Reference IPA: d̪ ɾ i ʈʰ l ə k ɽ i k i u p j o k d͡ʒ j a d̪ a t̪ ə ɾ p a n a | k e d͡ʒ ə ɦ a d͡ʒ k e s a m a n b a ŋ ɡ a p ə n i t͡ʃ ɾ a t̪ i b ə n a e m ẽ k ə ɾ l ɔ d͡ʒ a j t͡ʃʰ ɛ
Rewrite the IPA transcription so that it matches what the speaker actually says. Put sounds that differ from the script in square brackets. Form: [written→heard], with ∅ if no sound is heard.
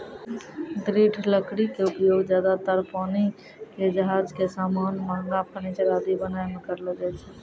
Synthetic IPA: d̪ ɾ i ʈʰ l ə k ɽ i k [i→e] u p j o [k→ɡ] d͡ʒ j a d̪ a t̪ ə ɾ p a n [a→i] | k e d͡ʒ ə ɦ a d͡ʒ k e s a m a n [b→m] a ŋ ɡ a p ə n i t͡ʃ ɾ a [t̪→d̪] i b ə n a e m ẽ k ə ɾ l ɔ d͡ʒ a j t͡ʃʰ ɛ